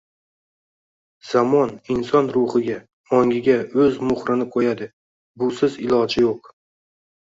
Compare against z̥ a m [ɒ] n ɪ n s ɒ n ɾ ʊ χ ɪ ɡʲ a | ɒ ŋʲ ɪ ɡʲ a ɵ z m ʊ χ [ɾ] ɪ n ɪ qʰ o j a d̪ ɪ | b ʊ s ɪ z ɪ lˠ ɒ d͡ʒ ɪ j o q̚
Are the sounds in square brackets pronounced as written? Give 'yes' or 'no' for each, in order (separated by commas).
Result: yes, yes